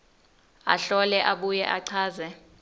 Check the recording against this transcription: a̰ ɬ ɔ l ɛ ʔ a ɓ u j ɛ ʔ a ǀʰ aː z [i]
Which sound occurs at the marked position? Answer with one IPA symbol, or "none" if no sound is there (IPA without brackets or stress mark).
ɛ